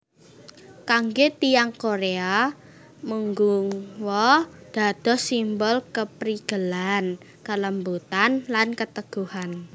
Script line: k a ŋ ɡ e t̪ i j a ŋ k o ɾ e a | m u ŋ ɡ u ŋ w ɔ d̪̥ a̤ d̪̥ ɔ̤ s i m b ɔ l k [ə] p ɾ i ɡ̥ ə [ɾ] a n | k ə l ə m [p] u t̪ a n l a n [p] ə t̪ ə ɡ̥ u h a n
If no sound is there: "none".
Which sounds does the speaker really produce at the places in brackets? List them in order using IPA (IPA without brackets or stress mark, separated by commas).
ə, l, b, k